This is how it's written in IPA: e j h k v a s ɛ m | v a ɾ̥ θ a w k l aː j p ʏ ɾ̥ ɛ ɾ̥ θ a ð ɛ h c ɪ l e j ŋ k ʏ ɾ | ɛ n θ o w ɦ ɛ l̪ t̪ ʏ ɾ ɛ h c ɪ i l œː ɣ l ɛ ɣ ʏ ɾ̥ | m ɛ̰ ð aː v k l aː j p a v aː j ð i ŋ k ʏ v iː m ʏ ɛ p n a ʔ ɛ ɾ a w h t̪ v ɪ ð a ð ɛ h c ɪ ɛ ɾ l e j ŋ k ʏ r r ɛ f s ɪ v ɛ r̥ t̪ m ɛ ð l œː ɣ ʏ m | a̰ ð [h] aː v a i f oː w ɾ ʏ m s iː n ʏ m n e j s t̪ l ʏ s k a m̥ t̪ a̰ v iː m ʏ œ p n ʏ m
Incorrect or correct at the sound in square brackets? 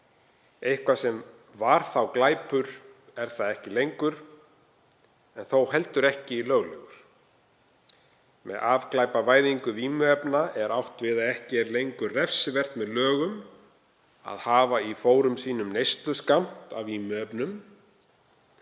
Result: correct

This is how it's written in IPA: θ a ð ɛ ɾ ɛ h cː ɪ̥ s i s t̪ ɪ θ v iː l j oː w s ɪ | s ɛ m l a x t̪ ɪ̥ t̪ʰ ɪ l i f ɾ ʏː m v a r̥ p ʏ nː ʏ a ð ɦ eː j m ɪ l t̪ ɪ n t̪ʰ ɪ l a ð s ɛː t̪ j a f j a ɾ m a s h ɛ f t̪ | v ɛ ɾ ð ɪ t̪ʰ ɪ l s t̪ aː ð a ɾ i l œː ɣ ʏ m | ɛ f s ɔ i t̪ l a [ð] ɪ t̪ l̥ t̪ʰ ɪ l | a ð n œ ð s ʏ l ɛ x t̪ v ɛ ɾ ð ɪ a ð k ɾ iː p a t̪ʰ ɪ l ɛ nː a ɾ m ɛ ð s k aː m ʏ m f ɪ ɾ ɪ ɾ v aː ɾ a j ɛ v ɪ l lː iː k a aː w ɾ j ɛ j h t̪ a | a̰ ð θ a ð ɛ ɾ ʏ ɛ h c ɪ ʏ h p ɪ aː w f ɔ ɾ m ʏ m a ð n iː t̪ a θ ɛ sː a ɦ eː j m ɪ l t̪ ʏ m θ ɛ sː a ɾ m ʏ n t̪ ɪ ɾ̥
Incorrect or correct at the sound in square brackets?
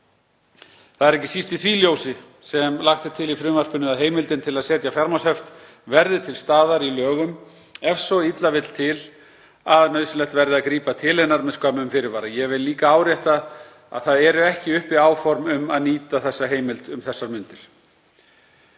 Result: incorrect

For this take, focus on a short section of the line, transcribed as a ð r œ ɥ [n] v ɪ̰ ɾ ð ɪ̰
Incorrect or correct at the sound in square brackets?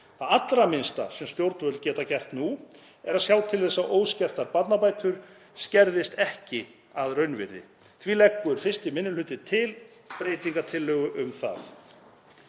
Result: correct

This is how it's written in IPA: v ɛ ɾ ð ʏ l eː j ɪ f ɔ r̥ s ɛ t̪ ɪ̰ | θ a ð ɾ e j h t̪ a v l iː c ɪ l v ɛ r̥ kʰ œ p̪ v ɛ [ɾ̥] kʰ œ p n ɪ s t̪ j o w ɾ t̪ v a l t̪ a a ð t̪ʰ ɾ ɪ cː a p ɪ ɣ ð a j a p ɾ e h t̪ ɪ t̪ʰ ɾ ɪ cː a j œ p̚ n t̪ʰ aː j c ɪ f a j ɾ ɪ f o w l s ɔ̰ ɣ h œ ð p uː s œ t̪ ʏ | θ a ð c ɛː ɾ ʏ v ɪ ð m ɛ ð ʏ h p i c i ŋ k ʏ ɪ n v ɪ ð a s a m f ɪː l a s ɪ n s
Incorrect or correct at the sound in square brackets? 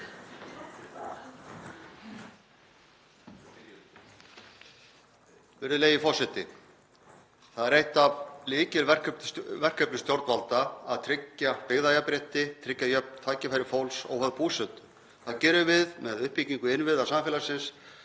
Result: incorrect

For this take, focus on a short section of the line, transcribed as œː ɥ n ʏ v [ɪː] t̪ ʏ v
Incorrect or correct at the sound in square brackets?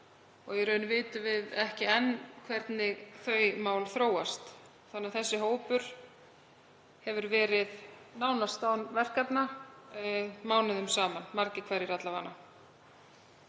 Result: correct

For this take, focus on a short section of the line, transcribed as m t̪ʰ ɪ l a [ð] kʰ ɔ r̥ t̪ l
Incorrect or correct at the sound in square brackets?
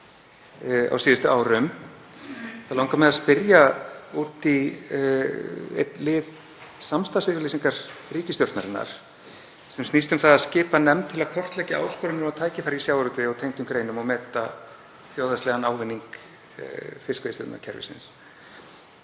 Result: correct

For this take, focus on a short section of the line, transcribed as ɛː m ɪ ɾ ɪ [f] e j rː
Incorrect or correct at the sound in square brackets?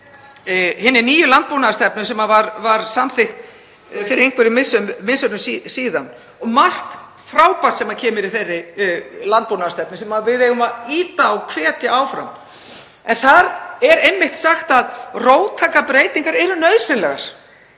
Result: incorrect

